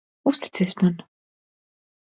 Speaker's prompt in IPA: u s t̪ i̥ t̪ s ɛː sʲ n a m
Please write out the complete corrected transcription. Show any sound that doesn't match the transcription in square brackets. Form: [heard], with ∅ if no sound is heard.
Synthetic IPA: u s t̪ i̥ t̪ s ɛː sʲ [m] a [n]